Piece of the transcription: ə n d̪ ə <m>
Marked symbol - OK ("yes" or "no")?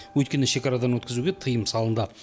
no